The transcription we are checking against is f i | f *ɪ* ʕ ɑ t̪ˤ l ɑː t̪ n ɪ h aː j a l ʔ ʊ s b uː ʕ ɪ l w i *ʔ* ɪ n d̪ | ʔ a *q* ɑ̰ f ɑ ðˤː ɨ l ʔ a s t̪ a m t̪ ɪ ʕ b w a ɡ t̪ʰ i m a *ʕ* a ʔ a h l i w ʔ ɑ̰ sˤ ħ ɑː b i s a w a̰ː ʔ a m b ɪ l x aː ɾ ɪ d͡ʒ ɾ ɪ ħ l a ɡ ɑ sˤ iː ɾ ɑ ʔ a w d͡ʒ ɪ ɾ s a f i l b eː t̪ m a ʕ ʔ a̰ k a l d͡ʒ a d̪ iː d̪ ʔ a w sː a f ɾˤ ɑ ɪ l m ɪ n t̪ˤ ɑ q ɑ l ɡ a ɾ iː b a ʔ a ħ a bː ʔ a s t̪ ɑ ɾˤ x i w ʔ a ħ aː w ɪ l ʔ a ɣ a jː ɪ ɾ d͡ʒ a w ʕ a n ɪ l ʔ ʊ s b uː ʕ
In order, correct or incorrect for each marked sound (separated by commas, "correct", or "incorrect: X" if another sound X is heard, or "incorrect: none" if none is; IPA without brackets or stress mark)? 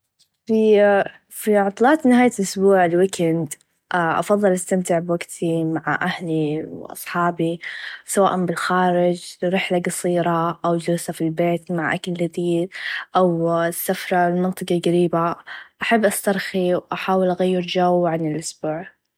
incorrect: i, incorrect: k, incorrect: ʔ, correct